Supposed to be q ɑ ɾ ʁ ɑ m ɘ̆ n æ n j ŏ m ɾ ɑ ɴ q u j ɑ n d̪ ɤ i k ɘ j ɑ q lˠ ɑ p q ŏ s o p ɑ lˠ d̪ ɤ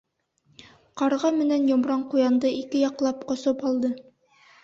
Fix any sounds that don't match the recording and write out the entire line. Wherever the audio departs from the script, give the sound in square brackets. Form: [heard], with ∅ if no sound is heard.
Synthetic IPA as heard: q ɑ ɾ ʁ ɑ m ɘ̆ n æ n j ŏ m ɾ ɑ ɴ q u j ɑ n d̪ ɤ i k ɘ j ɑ q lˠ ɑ p q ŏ s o p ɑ lˠ d̪ ɤ